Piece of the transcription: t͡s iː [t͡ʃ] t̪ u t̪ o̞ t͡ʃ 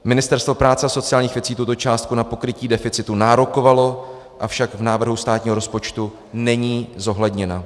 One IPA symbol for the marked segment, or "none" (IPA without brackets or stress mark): none